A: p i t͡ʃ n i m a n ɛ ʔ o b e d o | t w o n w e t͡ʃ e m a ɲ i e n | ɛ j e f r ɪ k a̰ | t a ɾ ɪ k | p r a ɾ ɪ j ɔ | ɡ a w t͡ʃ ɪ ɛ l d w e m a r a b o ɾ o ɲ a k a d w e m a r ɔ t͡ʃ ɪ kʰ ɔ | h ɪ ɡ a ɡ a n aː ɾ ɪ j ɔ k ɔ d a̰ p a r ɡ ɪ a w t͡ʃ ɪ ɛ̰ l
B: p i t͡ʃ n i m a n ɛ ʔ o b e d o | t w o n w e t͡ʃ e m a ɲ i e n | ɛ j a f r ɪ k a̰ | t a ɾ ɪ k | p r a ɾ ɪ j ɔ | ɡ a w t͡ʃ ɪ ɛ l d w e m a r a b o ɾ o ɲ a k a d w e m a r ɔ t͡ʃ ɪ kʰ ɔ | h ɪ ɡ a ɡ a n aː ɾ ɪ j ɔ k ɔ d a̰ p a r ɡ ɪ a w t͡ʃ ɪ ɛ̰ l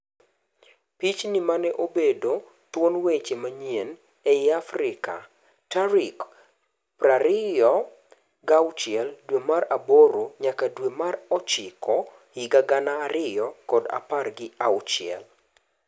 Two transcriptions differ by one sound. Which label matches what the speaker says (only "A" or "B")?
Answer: B